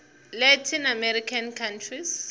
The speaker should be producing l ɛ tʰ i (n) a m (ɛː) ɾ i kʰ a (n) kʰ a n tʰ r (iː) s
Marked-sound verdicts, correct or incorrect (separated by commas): correct, incorrect, correct, incorrect